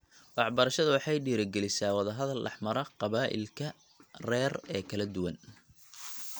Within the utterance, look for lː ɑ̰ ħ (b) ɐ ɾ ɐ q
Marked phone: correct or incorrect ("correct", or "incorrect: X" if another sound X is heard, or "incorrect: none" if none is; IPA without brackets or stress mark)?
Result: incorrect: m